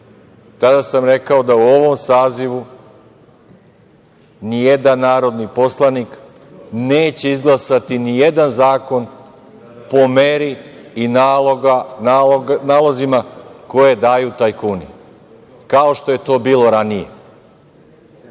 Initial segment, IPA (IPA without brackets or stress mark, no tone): t̪